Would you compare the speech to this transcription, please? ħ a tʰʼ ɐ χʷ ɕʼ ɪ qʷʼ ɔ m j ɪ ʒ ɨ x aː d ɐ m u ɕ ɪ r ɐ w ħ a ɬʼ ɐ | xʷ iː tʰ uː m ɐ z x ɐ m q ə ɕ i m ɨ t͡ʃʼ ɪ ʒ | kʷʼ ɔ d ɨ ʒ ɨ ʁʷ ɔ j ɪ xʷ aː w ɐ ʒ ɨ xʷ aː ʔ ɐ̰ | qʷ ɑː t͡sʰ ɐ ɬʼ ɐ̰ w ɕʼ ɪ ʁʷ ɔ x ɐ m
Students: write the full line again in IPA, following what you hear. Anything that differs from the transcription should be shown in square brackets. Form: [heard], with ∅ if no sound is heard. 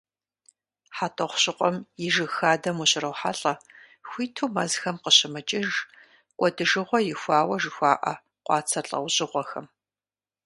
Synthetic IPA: ħ a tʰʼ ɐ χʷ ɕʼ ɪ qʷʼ ɔ m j ɪ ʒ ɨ x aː d ɐ m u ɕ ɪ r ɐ w ħ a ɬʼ ɐ | xʷ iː tʰ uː m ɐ z x ɐ m q ə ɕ [ɪ] m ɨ t͡ʃʼ ɪ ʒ | kʷʼ ɔ d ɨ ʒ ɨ ʁʷ ɔ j ɪ xʷ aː w ɐ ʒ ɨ xʷ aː ʔ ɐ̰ | qʷ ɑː t͡sʰ ɐ ɬʼ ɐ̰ w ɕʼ ɪ ʁʷ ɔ x ɐ m